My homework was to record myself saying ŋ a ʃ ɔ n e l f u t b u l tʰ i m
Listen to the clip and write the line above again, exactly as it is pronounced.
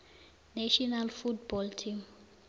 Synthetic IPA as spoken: n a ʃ ɔ n a l f u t b ɔ l tʰ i m